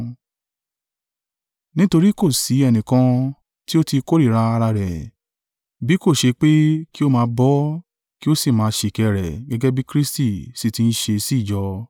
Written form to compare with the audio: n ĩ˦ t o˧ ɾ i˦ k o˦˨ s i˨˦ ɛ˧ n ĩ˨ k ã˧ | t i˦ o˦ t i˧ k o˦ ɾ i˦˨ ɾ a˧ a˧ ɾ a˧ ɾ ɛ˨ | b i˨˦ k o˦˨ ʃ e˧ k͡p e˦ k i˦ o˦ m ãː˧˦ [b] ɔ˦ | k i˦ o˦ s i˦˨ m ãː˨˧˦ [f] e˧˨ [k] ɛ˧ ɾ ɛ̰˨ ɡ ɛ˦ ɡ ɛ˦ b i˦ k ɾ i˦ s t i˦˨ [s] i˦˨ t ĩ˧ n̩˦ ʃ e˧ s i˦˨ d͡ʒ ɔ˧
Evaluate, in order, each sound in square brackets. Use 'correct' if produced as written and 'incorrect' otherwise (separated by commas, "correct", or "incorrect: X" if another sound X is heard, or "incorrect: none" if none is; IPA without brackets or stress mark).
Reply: correct, incorrect: ʃ, correct, correct